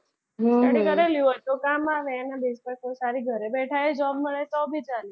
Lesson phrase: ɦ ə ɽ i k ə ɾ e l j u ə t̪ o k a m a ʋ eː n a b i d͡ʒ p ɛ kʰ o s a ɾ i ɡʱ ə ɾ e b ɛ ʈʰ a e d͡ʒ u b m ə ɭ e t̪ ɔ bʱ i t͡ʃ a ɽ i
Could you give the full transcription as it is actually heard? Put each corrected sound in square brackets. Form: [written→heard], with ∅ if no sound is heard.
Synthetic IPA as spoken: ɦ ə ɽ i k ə ɾ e l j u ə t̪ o k a m a ʋ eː n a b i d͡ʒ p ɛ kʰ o s a ɾ i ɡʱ ə ɾ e b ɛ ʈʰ a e d͡ʒ [u→ɔ] b m ə ɭ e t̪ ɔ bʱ i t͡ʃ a [ɽ→l] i